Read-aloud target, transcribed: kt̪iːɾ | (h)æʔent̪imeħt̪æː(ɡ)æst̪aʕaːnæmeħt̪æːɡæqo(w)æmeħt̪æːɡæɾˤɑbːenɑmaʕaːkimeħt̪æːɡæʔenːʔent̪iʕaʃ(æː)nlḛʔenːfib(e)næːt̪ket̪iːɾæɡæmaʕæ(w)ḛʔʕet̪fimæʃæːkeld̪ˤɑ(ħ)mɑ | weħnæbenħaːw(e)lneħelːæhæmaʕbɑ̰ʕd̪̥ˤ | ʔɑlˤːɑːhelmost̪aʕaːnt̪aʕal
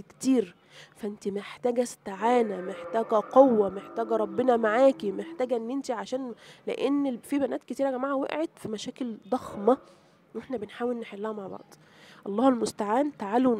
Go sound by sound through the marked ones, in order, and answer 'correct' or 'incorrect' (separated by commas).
incorrect, correct, incorrect, correct, incorrect, correct, incorrect, correct